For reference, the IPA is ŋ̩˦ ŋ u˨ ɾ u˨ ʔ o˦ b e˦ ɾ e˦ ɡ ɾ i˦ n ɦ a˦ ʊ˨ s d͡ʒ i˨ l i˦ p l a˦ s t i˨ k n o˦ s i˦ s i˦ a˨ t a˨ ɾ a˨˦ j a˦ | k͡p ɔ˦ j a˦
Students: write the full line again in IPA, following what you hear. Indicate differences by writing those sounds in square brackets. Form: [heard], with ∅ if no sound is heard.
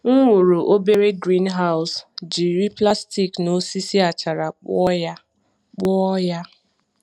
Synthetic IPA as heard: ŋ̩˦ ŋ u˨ ɾ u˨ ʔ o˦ b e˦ ɾ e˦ ɡ ɾ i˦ n ɦ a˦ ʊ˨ s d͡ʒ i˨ [ɾ] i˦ p l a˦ s t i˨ k n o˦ s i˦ s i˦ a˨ [t͡ʃ] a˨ ɾ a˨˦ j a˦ | k͡p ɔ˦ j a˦